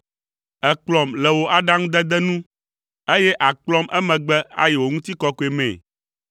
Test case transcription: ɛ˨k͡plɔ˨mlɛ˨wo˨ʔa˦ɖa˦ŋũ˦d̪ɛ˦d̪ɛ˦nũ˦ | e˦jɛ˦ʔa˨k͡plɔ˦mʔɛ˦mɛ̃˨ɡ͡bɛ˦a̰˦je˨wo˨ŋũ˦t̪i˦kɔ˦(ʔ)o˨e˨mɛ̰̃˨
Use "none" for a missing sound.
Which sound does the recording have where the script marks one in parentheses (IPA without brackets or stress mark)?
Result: k